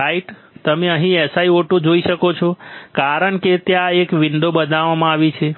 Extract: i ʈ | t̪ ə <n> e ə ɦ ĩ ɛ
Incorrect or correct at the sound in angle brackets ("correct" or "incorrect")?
incorrect